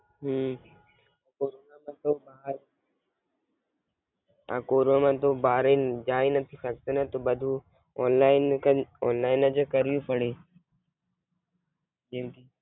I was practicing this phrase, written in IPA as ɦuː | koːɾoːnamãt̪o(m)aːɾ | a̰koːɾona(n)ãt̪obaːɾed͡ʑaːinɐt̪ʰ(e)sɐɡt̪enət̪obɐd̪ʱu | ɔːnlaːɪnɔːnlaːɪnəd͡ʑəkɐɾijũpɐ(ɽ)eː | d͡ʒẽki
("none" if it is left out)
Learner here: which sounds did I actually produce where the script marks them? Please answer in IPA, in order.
b, m, i, ɽ

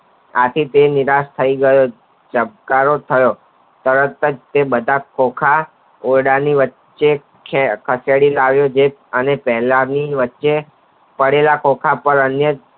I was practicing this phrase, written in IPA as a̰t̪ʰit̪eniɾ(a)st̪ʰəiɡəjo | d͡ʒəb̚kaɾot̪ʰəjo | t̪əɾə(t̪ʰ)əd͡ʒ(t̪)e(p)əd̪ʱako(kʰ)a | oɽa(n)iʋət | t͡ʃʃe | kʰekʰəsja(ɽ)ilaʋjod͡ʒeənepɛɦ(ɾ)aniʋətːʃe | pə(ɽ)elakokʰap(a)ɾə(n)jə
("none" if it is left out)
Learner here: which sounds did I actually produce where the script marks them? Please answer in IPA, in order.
a, t̪, t̪, b, kʰ, n, ɽ, l, ɽ, ə, n

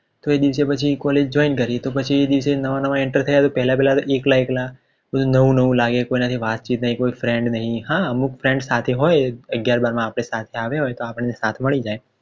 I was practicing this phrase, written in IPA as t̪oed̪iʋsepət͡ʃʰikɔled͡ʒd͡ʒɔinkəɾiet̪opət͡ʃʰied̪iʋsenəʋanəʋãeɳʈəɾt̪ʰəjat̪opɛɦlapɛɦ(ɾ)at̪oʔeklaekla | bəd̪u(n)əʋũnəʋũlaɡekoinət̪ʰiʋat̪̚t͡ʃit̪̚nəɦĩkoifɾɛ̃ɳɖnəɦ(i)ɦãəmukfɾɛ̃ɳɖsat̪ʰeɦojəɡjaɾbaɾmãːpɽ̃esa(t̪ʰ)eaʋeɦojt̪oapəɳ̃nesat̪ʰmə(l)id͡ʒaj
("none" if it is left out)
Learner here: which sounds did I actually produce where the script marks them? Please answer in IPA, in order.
l, n, ĩ, t̪ʰ, ɭ

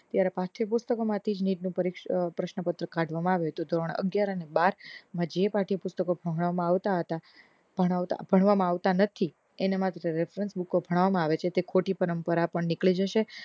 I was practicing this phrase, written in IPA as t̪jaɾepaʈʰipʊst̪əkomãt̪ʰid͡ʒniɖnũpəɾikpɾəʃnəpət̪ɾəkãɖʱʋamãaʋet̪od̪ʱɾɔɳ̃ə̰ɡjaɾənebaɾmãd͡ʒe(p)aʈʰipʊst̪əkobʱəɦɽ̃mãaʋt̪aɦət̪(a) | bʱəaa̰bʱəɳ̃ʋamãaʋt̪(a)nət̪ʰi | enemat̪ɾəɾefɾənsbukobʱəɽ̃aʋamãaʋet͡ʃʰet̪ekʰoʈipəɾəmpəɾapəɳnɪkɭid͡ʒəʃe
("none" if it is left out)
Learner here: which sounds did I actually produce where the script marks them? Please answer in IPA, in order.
p, a, a

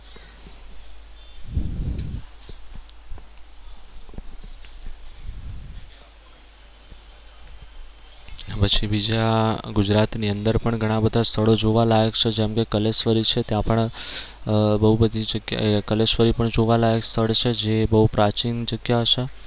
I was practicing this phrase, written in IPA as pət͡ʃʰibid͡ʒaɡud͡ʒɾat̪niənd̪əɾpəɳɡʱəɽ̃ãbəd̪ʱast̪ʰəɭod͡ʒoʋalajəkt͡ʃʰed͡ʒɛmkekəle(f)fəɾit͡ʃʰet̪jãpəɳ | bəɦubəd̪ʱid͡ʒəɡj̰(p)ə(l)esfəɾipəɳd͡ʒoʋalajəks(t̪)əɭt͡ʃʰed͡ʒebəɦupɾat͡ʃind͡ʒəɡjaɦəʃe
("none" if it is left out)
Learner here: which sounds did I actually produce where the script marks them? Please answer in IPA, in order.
s, k, l, t̪ʰ

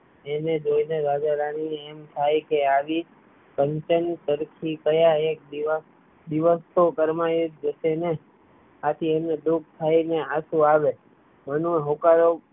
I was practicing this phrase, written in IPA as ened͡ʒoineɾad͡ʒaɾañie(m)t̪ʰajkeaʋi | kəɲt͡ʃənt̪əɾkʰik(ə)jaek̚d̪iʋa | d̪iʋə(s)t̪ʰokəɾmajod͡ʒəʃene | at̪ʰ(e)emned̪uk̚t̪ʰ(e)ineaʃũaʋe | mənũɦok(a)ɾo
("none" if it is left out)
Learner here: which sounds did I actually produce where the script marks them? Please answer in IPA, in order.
m, ə, s, i, a, a

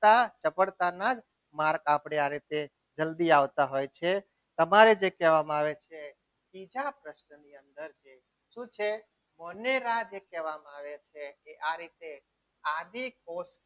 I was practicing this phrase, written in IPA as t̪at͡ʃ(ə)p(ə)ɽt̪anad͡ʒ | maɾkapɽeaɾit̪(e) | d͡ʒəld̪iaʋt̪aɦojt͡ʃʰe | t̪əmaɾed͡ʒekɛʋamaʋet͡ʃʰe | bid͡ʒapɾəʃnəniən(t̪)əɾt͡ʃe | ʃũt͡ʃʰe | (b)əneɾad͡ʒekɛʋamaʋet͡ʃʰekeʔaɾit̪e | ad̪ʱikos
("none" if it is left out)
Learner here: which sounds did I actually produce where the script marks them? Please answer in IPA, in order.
ə, ə, e, d̪, m

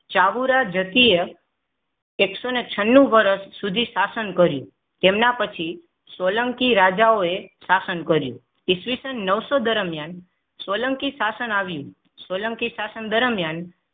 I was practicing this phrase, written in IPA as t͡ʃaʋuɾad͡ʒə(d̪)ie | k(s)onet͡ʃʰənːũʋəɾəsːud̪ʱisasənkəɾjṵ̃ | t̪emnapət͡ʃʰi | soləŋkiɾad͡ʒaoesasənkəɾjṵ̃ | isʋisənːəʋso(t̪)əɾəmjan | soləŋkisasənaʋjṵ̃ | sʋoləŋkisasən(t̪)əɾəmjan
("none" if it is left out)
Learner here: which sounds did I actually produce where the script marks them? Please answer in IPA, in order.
t̪, s, d̪, d̪

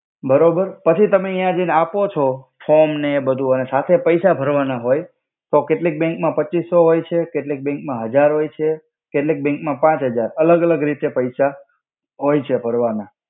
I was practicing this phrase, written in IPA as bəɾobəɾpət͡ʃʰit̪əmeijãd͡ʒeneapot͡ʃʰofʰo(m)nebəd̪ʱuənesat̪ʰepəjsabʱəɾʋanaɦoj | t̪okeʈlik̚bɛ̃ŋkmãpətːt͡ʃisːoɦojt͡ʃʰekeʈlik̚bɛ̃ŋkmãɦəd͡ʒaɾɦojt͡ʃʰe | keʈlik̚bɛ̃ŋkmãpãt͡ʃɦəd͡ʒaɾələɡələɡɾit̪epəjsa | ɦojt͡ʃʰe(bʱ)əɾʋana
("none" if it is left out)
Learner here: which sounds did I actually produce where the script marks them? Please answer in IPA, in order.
m, bʱ

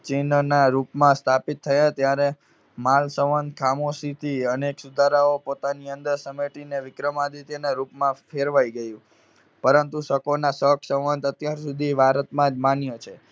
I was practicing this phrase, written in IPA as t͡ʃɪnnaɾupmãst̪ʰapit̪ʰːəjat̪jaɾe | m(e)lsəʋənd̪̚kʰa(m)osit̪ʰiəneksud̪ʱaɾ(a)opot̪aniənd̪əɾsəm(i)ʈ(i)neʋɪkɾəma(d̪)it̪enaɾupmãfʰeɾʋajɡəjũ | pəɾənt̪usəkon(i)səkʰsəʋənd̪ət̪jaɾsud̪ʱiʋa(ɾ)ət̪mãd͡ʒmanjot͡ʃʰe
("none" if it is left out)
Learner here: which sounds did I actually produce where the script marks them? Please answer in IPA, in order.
a, m, a, e, i, d̪, a, ɾ

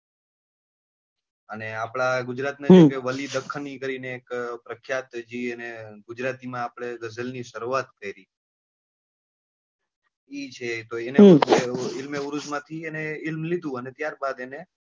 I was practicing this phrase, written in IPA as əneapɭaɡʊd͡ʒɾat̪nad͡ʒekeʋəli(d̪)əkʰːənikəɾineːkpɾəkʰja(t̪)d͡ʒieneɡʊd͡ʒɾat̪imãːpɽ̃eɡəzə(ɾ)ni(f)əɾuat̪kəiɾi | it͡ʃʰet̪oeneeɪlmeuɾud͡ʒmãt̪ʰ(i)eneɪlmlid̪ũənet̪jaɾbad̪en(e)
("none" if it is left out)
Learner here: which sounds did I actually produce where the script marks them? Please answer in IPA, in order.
d̪, t̪, l, ʃ, i, e

